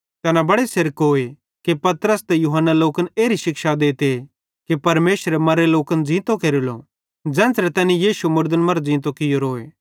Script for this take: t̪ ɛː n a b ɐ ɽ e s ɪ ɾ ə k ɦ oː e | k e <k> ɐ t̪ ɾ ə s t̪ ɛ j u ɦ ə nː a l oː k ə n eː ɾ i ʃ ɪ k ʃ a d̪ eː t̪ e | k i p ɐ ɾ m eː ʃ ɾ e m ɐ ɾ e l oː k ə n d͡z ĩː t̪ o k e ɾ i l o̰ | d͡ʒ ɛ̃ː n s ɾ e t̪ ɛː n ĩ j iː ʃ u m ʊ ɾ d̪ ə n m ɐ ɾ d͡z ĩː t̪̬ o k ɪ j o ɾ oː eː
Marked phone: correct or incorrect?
incorrect